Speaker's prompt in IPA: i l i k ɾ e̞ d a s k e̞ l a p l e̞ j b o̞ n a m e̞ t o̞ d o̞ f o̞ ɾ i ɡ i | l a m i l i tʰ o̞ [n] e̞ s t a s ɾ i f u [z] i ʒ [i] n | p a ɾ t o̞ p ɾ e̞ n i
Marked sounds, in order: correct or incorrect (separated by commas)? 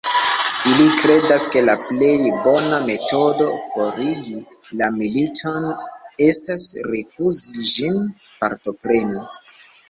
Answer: correct, correct, correct